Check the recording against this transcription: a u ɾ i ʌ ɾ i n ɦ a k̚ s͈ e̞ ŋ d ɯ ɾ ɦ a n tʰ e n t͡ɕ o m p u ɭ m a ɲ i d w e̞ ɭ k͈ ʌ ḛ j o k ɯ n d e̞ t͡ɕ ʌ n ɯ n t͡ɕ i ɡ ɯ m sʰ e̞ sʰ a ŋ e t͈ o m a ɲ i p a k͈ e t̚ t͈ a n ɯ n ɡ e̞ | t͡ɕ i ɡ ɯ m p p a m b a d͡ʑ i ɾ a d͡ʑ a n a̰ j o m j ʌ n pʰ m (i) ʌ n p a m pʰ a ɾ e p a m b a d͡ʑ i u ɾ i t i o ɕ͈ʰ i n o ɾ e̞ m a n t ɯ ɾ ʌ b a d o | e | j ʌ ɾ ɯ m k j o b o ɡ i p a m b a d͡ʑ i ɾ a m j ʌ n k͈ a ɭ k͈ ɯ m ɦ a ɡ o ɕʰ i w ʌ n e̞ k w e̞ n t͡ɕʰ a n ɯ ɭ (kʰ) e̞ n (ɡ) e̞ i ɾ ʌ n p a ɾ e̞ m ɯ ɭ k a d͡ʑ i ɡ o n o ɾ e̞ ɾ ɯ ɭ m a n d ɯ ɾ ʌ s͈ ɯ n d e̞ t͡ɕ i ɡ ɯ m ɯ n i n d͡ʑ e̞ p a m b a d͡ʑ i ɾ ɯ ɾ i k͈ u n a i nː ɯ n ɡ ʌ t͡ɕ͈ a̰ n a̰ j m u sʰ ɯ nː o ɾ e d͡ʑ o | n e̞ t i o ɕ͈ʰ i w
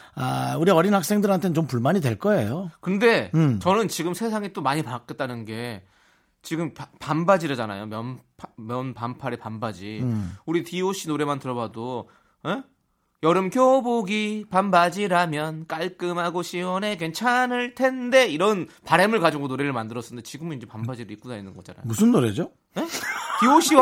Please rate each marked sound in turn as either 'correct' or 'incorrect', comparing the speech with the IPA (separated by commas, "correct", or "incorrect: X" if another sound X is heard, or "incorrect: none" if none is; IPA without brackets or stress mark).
incorrect: j, incorrect: tʰ, incorrect: d